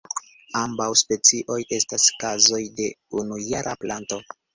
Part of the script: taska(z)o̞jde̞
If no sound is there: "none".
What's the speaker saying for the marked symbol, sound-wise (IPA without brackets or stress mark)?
z